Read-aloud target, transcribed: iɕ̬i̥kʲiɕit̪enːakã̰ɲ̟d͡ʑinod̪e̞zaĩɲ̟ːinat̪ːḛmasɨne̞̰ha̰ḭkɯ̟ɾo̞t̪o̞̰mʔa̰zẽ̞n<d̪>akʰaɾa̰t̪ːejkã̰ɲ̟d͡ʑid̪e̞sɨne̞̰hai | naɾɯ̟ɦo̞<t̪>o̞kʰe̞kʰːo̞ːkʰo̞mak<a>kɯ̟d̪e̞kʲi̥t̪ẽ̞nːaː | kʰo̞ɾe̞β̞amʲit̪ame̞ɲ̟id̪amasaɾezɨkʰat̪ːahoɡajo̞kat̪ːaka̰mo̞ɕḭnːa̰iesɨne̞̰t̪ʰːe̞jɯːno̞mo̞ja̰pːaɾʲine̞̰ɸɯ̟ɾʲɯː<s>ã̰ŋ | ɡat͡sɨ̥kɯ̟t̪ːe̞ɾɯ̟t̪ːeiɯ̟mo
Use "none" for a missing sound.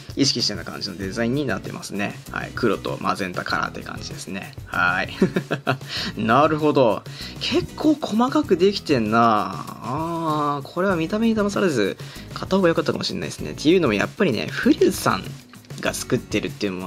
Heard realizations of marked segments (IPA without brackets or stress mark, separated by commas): t̪, d̪, a, s